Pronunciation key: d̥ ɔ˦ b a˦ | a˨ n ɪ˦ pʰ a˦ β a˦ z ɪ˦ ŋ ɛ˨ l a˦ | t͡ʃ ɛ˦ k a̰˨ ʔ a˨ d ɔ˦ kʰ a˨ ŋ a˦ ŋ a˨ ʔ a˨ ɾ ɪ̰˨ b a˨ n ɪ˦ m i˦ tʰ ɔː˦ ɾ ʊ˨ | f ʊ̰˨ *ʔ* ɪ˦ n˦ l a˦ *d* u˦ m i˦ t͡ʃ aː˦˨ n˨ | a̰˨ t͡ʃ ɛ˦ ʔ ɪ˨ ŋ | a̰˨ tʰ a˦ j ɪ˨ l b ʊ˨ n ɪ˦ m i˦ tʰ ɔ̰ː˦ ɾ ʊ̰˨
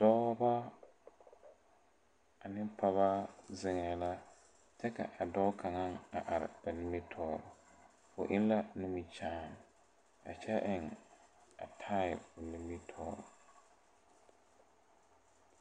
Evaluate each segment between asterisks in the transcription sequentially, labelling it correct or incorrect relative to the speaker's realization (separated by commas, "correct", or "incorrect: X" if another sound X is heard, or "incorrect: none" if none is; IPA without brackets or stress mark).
correct, incorrect: n